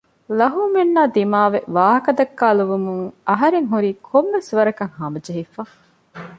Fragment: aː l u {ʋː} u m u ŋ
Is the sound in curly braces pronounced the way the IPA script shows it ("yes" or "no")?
no